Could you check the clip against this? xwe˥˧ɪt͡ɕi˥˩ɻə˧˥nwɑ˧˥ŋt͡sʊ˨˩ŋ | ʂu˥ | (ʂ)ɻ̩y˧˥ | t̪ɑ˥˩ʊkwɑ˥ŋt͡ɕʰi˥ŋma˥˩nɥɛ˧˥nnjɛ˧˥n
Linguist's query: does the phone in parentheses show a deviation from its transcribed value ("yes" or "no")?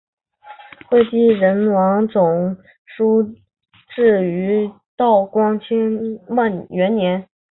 yes